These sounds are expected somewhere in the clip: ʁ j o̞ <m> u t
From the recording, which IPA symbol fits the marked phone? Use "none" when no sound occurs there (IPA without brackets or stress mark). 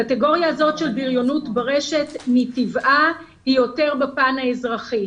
n